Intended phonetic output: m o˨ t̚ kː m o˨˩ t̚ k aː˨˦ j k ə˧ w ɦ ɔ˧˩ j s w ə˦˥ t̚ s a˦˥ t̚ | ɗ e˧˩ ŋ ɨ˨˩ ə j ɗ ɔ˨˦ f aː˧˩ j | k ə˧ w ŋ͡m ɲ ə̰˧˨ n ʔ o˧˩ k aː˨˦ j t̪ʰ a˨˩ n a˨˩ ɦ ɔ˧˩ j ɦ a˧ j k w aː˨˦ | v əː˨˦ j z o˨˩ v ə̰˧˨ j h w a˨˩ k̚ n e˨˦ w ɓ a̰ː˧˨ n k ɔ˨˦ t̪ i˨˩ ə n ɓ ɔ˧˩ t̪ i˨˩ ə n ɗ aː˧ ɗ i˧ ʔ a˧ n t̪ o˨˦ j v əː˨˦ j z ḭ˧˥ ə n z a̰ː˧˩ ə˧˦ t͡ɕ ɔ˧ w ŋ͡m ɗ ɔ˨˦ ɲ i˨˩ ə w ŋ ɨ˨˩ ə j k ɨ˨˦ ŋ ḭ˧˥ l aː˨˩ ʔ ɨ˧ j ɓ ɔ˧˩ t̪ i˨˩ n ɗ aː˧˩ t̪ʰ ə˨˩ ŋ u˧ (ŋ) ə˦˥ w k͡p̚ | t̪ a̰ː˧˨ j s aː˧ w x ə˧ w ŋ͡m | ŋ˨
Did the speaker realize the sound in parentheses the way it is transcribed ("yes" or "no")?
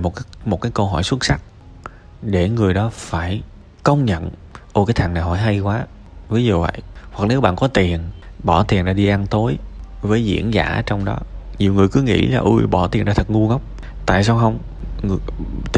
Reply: yes